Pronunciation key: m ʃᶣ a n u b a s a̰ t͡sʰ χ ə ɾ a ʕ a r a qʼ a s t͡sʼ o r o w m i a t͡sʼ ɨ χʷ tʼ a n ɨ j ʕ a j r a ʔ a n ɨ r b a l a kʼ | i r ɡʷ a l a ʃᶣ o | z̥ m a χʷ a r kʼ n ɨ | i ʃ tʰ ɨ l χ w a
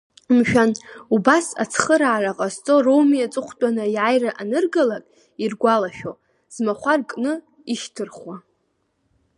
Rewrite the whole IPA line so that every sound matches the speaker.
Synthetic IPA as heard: m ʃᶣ a n u b a s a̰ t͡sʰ χ ə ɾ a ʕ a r a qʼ a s t͡sʼ o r o w m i a t͡sʼ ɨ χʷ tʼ a n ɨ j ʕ a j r a ʔ a n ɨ r ɡ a l a kʼ | i r ɡʷ a l a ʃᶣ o | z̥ m a χʷ a r kʼ n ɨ | i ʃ tʰ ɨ r χ w a